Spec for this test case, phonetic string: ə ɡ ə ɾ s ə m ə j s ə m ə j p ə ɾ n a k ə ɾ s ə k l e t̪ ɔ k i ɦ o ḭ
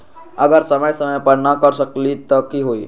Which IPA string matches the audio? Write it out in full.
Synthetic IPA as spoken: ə ɡ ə ɾ s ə m ə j s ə m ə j p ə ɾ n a k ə ɾ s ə k l i t̪ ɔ k i ɦ o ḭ